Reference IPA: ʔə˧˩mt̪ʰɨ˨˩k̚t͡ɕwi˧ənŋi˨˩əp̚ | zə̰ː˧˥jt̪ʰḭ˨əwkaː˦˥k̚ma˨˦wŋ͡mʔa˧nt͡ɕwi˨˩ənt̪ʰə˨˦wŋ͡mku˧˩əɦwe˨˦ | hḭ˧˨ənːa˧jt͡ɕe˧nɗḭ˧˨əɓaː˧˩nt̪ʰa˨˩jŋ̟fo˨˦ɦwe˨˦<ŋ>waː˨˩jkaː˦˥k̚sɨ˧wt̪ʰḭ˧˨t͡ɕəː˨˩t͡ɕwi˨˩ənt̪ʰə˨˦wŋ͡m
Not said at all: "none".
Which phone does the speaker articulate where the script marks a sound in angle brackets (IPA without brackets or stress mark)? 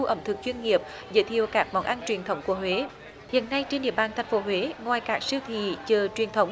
ŋ